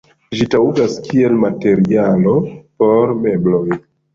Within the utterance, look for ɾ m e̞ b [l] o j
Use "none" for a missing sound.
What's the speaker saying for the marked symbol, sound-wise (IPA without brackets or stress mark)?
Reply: l